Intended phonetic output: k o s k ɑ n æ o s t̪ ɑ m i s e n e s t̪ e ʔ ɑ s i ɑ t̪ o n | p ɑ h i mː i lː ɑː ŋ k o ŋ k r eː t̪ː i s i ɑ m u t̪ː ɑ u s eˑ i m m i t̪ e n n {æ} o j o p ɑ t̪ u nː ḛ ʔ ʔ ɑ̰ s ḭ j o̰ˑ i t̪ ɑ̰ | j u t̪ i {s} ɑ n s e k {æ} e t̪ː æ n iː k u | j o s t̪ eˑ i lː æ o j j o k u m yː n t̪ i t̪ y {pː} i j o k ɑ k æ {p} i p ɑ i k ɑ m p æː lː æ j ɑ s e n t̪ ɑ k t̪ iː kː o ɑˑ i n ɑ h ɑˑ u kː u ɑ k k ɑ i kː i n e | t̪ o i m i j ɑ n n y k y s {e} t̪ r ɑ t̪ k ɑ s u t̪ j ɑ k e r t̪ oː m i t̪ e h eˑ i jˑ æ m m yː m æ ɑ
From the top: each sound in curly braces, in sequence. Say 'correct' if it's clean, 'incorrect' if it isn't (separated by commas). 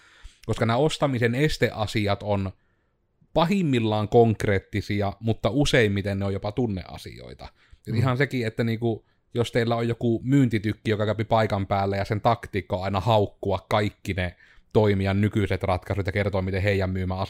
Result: incorrect, incorrect, incorrect, incorrect, correct, correct